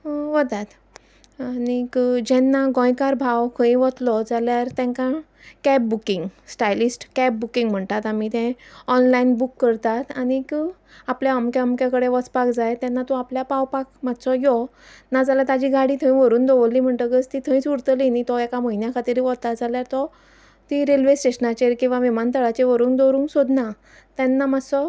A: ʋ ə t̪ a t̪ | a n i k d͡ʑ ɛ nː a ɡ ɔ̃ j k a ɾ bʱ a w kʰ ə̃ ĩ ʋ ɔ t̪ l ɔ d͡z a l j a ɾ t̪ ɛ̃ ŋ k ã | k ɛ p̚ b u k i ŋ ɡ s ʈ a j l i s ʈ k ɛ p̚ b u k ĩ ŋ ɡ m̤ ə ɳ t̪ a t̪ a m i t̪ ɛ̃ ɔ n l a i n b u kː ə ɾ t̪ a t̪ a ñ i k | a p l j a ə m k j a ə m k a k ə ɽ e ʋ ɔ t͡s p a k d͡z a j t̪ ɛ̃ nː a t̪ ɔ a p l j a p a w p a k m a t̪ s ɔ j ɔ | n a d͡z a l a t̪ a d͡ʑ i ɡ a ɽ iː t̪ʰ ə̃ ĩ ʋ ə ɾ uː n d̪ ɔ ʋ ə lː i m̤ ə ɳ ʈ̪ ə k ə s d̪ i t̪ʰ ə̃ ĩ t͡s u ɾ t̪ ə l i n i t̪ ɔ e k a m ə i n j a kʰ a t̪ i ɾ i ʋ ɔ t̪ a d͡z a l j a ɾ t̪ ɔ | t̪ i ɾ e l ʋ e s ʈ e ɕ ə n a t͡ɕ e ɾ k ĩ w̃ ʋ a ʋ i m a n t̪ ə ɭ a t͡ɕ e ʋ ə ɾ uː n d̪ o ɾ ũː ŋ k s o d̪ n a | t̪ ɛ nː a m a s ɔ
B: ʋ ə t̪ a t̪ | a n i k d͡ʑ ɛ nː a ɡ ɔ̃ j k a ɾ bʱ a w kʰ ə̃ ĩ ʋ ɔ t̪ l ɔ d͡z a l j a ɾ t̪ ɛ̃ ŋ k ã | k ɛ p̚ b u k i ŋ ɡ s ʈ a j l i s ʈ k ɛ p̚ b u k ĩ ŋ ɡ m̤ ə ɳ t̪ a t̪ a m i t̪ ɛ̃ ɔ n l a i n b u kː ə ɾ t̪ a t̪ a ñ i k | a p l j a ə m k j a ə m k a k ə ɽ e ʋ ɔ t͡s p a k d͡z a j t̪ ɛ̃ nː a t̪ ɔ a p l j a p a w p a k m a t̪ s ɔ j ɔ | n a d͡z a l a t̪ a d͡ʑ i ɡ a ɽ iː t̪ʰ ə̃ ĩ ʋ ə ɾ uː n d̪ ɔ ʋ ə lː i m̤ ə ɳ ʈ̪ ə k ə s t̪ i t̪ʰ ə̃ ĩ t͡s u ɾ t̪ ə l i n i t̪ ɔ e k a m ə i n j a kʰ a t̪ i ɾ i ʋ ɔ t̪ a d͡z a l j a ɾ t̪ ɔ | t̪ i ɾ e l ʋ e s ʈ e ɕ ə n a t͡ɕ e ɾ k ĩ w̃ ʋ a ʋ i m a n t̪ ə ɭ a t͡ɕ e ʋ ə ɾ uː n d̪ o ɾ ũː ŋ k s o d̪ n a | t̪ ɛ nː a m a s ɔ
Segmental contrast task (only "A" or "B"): B